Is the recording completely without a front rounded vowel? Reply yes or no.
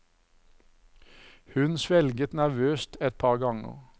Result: no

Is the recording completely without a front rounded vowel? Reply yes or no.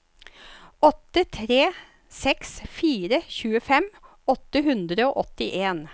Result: yes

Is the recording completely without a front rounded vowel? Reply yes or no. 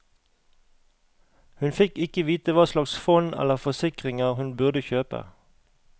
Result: no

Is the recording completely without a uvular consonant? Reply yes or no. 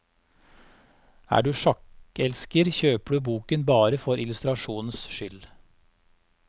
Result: yes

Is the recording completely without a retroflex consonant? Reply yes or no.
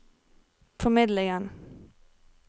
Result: yes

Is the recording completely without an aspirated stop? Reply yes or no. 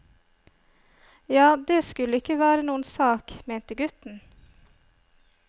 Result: yes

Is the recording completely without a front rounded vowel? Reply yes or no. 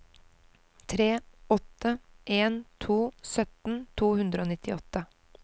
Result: no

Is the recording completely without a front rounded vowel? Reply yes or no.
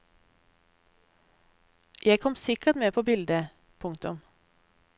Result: yes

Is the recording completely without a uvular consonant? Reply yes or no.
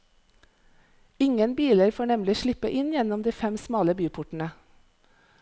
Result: yes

